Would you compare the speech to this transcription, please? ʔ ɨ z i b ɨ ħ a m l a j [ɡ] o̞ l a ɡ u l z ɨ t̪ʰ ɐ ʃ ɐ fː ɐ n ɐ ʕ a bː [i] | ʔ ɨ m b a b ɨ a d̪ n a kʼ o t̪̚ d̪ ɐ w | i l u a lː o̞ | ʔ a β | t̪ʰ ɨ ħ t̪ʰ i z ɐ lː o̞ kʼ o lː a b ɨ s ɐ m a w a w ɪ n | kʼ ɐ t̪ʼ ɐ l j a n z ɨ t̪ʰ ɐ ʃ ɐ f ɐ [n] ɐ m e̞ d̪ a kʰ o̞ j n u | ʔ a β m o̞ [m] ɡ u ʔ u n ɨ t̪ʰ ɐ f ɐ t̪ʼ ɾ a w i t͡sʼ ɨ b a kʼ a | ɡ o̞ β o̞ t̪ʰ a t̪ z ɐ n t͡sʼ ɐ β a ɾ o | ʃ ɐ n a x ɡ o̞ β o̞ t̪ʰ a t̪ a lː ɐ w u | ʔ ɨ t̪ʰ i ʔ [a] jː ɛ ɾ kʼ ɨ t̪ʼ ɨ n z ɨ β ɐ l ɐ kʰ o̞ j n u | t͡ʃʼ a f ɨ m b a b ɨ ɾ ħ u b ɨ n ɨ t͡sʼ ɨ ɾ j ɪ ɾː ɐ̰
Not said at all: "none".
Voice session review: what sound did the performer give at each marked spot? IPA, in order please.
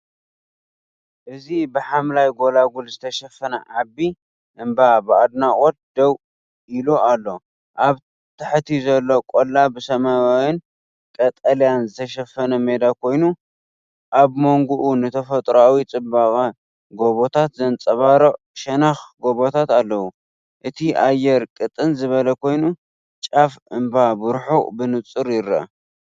ɡ, i, n, ŋ, a

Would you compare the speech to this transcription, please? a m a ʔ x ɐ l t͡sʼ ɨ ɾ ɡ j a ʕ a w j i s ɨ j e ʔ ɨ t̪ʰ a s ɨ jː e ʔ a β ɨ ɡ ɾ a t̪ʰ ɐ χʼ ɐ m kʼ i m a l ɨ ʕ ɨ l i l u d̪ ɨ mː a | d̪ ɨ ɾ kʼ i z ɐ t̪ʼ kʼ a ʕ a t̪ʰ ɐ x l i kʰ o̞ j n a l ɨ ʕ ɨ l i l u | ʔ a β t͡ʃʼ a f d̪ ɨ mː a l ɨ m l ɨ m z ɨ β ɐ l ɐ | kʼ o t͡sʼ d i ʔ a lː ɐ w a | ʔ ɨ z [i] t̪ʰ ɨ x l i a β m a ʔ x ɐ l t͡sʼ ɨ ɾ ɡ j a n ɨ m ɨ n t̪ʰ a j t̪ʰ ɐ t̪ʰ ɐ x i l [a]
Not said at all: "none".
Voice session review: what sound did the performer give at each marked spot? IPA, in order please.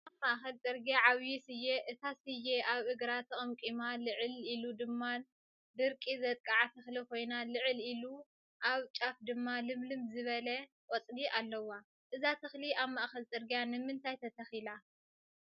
a, a

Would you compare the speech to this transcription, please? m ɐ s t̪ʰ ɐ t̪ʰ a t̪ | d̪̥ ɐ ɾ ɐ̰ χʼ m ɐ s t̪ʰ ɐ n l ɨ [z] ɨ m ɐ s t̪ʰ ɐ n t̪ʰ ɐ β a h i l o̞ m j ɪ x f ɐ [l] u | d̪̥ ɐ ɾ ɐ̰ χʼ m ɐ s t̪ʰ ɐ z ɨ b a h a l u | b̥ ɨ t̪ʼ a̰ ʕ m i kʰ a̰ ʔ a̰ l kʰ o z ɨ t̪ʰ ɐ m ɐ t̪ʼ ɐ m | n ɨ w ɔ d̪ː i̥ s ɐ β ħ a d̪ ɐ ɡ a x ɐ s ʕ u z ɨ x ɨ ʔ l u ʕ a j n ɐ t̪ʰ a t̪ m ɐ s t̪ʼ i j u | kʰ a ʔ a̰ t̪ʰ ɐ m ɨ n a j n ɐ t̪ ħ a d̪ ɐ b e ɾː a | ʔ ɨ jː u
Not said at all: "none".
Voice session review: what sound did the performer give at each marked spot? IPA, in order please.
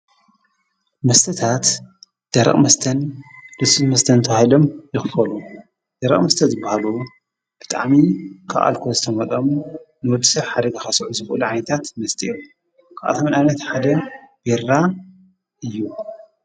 s, l

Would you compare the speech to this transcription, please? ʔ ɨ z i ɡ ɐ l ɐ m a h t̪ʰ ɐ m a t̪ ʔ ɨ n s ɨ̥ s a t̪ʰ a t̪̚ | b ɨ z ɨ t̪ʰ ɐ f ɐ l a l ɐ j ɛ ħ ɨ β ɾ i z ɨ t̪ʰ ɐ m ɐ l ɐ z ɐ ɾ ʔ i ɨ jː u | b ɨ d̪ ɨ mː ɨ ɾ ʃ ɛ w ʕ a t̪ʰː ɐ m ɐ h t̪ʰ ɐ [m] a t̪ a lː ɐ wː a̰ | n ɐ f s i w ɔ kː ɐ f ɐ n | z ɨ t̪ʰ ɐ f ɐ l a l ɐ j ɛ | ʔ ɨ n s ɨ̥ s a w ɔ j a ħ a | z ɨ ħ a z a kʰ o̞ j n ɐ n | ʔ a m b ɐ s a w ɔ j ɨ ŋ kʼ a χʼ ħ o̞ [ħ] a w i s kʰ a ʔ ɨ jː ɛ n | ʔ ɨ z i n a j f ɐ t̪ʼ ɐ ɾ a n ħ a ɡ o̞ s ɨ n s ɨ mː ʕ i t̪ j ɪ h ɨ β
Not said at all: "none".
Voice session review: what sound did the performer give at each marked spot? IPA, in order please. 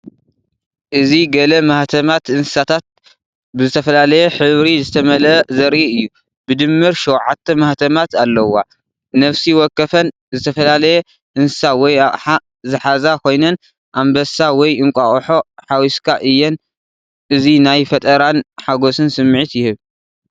m, ħ

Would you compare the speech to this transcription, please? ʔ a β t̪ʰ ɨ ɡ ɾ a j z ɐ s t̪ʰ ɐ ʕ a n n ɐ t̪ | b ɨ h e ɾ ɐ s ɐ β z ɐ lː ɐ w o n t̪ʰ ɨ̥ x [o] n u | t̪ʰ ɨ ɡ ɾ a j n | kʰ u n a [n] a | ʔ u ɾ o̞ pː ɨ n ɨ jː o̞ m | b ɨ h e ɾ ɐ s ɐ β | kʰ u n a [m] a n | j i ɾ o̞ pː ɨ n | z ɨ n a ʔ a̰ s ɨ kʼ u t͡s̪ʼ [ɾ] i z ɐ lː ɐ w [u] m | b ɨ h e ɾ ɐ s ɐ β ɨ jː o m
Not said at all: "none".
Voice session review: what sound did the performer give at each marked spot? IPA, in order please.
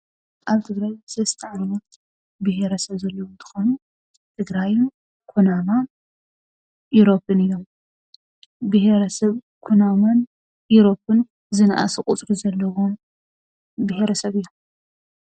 o, m, m, ɾ, o

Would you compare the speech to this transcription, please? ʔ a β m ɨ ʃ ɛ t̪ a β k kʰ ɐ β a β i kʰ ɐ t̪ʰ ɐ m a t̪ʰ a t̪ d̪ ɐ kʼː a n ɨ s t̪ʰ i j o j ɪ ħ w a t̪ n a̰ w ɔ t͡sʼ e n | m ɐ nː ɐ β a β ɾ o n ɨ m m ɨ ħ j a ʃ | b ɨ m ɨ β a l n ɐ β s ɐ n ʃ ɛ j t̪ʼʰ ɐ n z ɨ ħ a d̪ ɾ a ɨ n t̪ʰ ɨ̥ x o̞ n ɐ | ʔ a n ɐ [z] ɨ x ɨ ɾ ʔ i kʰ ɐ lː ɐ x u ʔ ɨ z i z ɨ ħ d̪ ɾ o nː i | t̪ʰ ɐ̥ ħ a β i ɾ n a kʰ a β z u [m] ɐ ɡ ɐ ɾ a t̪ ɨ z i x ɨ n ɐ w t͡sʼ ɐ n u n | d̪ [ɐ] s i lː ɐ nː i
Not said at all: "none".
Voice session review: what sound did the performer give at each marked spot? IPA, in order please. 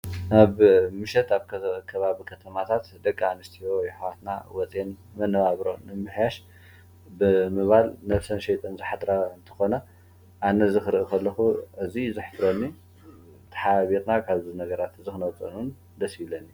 z, n, ɐ

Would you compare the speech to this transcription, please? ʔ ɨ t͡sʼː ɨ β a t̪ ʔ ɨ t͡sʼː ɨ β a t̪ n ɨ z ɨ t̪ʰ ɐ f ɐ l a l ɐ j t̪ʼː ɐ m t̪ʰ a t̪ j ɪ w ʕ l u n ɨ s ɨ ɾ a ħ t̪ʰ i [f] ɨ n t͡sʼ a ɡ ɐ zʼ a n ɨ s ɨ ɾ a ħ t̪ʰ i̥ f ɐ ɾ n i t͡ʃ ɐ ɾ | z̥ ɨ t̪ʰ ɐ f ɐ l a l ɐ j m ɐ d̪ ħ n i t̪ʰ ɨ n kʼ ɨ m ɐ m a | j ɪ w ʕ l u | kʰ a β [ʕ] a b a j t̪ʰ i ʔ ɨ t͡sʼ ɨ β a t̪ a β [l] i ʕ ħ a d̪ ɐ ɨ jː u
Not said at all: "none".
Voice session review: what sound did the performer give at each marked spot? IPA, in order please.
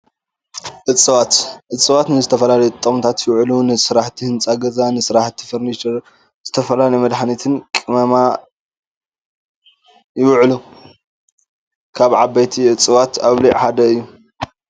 h, ʕ, l

